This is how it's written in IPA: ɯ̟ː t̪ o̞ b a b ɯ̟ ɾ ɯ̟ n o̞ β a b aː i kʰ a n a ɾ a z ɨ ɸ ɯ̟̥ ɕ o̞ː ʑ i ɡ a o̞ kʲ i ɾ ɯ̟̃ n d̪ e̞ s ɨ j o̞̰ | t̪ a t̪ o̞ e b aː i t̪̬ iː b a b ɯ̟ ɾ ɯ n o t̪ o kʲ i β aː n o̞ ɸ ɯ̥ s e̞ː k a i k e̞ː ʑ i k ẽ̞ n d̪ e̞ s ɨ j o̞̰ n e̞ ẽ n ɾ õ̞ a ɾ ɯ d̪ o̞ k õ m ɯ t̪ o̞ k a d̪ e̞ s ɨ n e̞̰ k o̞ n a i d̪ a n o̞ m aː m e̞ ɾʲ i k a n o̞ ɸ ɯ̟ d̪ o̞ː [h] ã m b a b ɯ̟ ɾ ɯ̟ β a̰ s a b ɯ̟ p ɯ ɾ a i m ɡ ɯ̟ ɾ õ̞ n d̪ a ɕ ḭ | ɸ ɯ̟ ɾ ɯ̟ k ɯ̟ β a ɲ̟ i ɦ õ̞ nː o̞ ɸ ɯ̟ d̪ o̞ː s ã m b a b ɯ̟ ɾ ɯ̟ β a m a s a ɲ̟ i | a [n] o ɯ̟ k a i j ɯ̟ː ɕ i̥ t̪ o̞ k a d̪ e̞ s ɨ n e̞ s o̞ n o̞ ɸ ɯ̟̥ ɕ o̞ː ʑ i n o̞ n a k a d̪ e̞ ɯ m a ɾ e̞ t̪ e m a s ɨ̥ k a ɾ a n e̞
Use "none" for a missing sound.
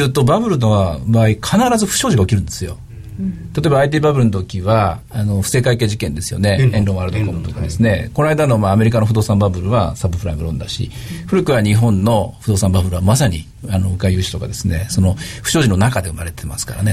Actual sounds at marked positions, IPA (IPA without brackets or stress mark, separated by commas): s, n